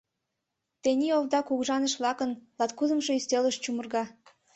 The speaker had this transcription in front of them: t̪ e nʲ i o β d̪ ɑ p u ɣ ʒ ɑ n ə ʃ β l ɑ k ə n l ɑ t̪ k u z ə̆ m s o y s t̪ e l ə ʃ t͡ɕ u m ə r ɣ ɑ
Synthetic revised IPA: t̪ e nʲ i o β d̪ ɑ k u ɣ ʒ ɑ n ə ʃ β l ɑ k ə n l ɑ t̪ k u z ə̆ m ʃ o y s t̪ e l ə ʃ t͡ɕ u m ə r ɣ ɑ